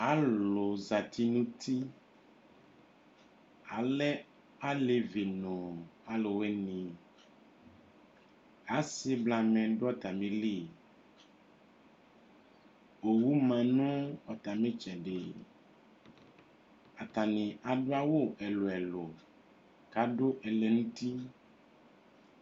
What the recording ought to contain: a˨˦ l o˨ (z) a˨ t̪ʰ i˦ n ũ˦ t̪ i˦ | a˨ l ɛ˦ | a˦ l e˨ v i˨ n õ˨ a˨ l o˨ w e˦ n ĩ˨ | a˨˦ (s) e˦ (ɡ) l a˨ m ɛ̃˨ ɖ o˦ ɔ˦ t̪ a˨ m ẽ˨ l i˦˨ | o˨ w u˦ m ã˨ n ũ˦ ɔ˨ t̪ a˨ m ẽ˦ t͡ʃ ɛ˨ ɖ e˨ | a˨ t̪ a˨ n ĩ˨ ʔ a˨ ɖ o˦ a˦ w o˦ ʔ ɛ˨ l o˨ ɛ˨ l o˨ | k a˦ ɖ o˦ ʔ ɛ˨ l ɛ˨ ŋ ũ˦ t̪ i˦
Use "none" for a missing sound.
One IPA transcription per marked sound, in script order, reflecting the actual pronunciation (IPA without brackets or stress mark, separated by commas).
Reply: z, s, b